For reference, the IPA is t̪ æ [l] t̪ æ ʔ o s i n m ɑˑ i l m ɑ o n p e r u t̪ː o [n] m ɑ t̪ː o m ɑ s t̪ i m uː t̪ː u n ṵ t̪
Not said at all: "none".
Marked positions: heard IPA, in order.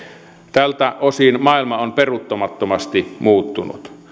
l, none

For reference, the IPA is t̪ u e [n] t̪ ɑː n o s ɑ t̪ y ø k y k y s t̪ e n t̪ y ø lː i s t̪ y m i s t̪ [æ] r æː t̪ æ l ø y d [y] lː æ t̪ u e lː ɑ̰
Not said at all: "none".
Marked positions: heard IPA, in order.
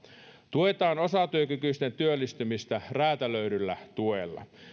none, æ, y

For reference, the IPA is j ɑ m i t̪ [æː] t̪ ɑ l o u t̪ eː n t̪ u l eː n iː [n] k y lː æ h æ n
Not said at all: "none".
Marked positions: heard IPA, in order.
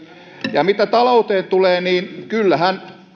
æ, n

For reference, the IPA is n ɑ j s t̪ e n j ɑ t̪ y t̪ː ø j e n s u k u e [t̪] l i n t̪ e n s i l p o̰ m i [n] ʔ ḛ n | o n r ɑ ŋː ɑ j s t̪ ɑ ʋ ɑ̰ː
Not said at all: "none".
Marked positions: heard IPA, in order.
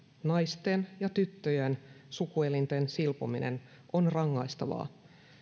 none, n

